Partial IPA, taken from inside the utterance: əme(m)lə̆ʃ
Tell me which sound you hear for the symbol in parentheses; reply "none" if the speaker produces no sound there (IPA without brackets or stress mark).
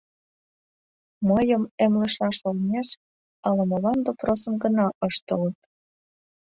m